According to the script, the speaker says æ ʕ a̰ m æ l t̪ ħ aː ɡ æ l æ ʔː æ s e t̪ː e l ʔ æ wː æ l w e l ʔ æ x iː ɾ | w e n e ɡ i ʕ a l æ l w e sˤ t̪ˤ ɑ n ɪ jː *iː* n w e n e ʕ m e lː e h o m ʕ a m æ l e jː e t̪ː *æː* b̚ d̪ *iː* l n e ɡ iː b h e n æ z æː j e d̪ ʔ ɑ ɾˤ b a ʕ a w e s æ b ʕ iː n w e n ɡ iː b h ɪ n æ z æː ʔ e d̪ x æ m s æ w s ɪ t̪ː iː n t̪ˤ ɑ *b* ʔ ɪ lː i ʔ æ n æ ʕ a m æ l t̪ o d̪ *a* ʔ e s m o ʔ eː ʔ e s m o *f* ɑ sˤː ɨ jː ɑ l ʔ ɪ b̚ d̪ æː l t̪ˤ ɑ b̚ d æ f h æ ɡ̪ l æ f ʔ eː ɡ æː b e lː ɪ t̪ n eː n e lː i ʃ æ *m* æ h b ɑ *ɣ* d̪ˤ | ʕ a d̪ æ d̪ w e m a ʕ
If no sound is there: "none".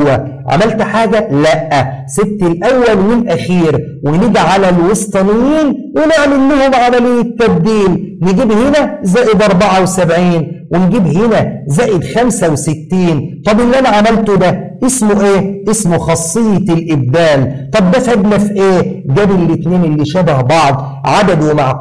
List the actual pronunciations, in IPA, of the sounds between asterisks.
iː, æ, iː, b, æ, x, b, ʕ

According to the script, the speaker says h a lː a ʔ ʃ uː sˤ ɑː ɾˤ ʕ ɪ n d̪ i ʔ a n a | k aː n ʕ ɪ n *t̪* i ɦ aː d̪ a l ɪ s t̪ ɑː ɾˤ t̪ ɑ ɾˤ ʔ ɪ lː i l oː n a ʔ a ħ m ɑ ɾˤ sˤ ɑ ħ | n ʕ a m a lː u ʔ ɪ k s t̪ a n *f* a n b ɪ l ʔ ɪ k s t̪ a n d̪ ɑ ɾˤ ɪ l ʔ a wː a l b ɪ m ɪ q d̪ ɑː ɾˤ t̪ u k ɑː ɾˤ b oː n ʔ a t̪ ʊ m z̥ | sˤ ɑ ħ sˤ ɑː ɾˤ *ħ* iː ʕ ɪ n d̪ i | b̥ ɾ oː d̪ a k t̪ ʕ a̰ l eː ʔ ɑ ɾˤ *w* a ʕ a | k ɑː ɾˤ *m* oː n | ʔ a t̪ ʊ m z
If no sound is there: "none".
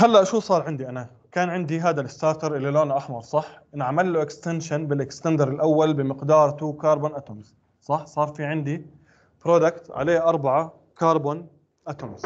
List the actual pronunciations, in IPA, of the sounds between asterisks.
d̪, ʃ, f, b, b

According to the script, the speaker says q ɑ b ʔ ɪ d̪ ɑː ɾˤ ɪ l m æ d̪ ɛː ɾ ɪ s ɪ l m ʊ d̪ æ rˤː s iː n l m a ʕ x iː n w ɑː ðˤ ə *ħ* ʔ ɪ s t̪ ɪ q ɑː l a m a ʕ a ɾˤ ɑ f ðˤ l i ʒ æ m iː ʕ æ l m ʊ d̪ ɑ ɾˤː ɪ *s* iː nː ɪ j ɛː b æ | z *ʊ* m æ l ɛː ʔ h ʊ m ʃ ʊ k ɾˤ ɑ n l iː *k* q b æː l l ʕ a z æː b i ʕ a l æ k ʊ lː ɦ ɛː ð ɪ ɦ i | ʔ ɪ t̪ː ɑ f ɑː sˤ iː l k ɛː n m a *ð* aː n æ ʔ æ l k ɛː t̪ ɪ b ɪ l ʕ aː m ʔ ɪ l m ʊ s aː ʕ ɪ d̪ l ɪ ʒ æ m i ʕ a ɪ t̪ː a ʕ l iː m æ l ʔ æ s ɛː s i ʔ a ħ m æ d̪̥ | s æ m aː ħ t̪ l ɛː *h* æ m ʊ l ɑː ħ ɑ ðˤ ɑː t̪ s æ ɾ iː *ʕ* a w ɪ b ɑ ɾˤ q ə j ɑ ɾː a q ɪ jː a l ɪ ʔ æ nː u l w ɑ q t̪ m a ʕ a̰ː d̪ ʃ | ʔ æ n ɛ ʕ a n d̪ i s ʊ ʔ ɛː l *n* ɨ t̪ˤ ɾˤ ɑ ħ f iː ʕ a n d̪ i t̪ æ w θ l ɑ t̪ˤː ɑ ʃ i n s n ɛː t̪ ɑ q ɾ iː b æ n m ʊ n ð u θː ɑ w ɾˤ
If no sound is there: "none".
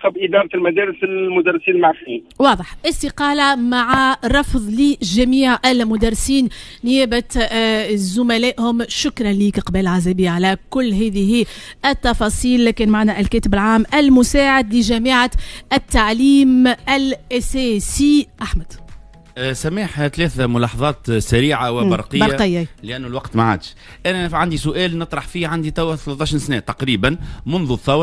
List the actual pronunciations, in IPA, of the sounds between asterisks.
ħ, s, ʊ, k, ʕ, θ, ʕ, n

